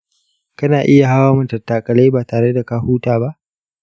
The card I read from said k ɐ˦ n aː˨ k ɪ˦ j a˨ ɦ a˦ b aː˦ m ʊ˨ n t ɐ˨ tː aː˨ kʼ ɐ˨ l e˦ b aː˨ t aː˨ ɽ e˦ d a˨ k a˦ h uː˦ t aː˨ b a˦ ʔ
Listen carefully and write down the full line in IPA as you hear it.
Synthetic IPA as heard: k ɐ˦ n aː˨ ʔ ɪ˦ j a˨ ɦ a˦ w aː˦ m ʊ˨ n t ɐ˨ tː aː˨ kʼ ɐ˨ l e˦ b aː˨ t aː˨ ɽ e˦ d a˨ k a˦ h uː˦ t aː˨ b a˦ ʔ